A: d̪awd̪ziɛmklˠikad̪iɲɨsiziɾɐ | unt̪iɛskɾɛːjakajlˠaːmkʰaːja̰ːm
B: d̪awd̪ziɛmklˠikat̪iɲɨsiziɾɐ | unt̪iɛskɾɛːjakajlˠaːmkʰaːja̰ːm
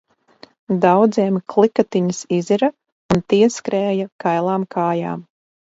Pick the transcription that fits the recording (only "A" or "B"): B